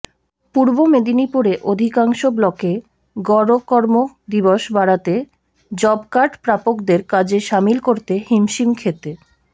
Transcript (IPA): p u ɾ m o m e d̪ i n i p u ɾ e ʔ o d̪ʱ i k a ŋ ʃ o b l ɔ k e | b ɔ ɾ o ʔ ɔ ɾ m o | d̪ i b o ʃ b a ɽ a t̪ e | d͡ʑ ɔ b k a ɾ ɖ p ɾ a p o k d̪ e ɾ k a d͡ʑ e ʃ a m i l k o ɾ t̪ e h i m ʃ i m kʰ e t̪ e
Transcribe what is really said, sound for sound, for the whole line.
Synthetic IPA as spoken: p u ɾ b o m e d̪ i n i p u ɾ e ʔ o d̪ʱ i k a ŋ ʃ o b l ɔ k e | ɡ ɔ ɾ o k ɔ ɾ m o | d̪ i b o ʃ b a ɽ a t̪ e | d͡ʑ ɔ b k a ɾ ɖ p ɾ a p o k d̪ e ɾ k a d͡ʑ e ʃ a m i l k o ɾ t̪ e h i m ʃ i m kʰ e t̪ e